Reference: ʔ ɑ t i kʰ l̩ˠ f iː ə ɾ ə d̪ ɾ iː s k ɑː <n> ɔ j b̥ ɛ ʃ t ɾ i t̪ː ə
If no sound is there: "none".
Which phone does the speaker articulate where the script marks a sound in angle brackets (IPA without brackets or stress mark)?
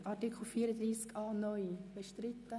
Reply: n